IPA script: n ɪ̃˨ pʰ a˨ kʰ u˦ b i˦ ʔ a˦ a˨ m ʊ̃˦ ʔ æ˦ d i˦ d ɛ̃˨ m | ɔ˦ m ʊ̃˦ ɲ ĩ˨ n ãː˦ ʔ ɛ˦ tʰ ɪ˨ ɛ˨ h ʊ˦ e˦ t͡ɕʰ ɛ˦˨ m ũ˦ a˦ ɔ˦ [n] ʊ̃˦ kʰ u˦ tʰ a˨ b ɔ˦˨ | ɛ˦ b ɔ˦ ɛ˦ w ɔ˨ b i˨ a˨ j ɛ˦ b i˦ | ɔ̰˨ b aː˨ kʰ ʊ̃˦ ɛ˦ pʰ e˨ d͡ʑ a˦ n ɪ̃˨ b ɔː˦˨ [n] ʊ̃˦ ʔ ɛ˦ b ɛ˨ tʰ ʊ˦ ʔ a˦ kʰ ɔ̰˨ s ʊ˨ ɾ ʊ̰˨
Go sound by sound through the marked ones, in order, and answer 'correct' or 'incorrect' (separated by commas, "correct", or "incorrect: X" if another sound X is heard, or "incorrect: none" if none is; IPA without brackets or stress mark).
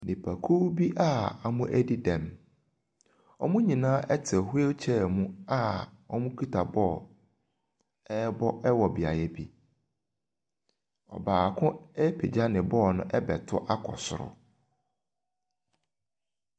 incorrect: m, correct